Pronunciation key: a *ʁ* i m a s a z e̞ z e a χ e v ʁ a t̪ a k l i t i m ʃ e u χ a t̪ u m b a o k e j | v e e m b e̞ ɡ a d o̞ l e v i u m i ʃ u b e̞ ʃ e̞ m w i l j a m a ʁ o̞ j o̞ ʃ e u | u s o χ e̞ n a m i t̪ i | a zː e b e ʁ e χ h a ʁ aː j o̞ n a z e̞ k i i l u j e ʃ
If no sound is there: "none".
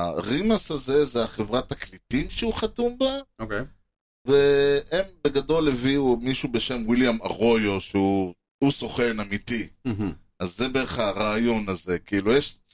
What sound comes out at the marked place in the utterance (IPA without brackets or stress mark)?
ʁ